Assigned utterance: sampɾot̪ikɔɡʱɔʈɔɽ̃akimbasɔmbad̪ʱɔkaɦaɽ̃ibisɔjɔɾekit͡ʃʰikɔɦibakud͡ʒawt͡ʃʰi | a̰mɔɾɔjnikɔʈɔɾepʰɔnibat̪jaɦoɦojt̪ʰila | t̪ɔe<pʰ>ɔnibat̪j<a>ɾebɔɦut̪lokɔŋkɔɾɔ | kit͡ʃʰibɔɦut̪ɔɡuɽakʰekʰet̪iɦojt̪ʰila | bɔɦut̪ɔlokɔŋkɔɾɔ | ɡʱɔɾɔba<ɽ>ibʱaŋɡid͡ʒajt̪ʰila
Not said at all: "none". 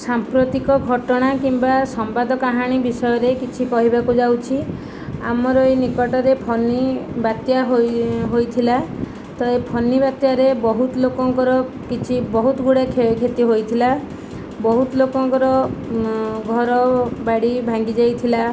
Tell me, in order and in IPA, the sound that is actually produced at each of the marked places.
pʰ, a, ɽ

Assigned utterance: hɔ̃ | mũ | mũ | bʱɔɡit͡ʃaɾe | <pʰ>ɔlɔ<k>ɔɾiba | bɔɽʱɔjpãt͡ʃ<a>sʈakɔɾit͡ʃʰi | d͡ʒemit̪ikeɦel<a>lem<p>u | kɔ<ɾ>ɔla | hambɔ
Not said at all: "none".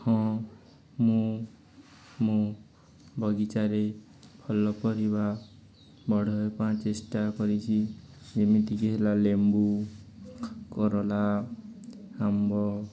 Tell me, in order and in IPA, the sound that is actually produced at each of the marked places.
pʰ, p, e, a, b, ɾ

